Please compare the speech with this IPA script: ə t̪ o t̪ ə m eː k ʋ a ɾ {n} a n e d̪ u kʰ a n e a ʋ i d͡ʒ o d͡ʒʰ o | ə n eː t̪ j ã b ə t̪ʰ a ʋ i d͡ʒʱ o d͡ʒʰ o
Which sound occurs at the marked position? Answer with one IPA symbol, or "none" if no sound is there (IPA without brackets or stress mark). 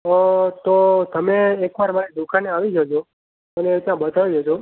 m